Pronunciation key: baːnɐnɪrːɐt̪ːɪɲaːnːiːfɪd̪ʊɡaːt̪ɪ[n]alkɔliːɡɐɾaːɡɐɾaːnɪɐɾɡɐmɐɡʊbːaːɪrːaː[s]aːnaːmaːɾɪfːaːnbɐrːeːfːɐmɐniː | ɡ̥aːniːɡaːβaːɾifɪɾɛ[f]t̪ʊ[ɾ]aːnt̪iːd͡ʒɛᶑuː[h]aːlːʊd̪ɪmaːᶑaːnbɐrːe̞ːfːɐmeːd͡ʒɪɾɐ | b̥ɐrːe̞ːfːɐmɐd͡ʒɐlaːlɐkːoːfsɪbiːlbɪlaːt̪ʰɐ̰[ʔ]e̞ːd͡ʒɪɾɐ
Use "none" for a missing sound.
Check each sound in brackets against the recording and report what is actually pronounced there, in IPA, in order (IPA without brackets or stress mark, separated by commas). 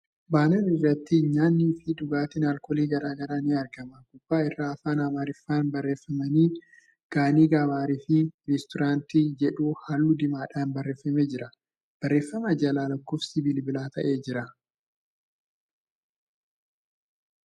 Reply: n, f, s, ɾ, h, ʔ